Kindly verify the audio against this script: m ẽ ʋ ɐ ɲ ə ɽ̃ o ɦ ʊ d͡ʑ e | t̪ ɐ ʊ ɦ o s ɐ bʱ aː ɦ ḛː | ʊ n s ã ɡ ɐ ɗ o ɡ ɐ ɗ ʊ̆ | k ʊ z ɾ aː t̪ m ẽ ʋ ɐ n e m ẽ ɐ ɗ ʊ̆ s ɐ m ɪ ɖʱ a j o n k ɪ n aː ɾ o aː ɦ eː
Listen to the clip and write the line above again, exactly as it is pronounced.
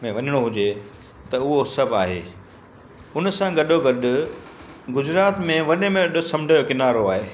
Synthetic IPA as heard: m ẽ ʋ ɐ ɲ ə ɽ̃ o ɦ ʊ d͡ʑ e | t̪ ɐ ʊ ɦ o s ɐ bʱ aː ɦ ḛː | ʊ n s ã ɡ ɐ ɗ o ɡ ɐ ɗ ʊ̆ | ɡ ʊ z ɾ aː t̪ m ẽ ʋ ɐ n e m ẽ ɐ ɗ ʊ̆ s ɐ m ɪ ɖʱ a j o k ɪ n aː ɾ o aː ɦ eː